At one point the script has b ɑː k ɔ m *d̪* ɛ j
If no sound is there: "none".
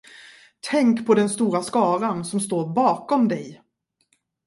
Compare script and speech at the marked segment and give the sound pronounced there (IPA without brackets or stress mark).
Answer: d̪